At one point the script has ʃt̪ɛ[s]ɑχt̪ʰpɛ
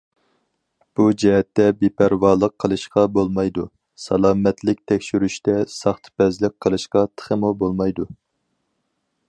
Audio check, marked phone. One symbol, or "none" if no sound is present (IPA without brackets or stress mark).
s